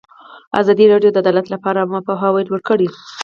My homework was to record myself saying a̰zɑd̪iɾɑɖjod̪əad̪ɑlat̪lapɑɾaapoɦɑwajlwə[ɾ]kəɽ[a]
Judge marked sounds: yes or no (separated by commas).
no, no